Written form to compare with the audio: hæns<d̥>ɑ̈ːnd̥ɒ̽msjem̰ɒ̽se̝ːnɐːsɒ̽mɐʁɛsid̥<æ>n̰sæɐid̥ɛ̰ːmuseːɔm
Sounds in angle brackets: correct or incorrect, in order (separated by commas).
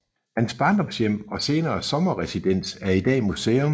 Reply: incorrect, incorrect